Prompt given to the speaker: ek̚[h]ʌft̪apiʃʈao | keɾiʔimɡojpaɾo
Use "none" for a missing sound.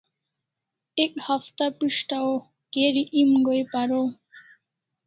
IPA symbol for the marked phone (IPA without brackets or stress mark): h